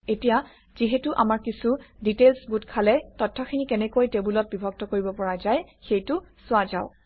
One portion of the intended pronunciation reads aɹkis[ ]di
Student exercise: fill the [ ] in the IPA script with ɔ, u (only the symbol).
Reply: u